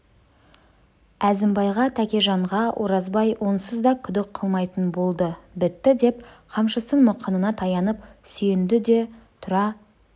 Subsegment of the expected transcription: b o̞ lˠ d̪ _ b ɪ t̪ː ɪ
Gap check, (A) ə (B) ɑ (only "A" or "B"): A